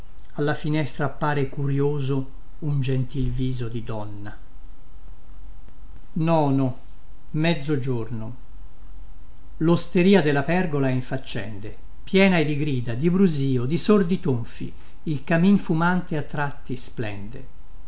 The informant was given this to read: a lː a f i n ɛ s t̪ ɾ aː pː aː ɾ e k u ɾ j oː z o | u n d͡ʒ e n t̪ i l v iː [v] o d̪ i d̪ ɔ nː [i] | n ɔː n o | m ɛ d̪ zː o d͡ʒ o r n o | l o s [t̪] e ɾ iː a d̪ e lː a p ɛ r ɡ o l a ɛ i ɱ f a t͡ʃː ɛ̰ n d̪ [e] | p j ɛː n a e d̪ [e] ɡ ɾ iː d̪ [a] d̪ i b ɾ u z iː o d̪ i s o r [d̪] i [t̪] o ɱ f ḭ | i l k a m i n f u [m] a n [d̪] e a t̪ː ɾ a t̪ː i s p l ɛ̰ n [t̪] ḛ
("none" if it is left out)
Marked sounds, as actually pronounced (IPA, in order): z, a, t̪, e, i, a, d̪, t̪, m, t̪, d̪

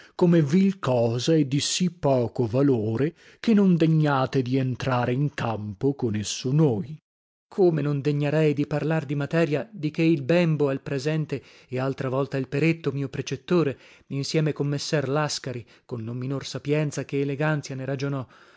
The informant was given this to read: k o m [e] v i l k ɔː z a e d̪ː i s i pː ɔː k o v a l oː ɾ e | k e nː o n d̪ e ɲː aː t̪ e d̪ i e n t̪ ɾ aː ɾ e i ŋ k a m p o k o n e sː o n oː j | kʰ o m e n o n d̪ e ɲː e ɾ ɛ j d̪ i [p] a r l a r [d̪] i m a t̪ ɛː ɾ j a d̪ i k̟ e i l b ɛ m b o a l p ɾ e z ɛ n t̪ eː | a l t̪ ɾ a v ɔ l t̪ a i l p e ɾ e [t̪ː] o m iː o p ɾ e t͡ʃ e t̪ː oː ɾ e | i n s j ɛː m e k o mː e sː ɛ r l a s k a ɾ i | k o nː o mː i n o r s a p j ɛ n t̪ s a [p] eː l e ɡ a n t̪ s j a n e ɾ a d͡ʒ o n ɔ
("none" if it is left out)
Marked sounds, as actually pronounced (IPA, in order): e, p, d̪, t̪ː, k

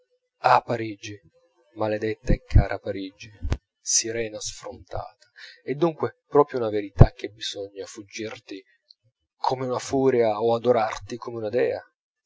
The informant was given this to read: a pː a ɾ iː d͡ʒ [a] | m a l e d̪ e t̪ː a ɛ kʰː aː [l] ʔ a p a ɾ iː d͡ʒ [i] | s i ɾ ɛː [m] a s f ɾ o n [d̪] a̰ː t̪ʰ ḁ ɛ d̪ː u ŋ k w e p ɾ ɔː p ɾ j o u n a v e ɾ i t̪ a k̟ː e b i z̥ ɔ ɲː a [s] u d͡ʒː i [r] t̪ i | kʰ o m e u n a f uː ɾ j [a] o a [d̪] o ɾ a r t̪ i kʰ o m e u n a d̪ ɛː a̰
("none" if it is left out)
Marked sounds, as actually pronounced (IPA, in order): i, ɾ, i, n, t̪, f, r, a, d̪

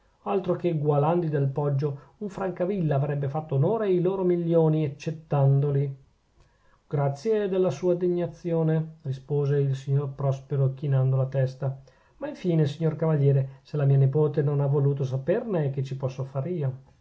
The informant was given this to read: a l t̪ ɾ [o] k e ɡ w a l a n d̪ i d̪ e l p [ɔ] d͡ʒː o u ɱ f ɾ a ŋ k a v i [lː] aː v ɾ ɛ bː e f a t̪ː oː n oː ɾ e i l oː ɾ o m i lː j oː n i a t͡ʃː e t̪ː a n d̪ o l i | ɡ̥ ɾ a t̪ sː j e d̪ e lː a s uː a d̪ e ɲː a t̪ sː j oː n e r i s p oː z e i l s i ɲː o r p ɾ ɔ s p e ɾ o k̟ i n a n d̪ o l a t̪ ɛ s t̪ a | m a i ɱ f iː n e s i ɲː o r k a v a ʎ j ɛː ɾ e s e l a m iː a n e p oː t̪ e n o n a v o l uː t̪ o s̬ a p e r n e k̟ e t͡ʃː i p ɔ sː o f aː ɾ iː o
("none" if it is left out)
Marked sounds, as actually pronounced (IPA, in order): o, ɔ, lː

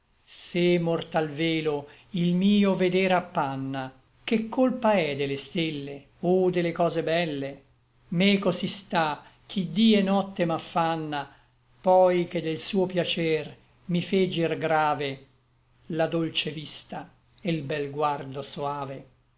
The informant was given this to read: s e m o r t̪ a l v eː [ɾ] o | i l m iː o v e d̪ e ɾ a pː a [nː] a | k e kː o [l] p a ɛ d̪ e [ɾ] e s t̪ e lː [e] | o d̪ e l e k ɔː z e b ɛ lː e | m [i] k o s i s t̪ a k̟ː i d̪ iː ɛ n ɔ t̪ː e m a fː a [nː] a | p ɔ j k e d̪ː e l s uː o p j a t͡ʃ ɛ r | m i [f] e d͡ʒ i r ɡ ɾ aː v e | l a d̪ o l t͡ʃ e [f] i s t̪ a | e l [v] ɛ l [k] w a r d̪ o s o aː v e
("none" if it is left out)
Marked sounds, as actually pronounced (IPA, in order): l, nː, l, l, e, e, nː, f, v, b, ɡ

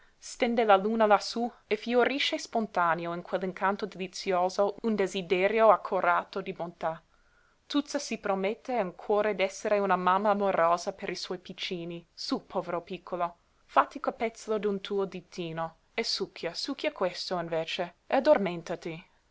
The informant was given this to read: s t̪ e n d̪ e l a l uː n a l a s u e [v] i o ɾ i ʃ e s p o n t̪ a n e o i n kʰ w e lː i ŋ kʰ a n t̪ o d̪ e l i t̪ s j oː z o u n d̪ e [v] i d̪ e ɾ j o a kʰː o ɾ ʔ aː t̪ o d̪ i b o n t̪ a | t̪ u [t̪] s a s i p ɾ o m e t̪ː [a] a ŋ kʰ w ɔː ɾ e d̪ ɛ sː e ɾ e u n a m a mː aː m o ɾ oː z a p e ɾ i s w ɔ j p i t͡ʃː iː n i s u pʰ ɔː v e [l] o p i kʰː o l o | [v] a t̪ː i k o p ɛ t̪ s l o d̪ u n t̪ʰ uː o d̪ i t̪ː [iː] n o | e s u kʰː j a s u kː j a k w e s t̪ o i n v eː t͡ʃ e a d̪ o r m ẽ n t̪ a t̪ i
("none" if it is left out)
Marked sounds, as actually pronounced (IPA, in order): f, z, t̪, e, ɾ, f, iː

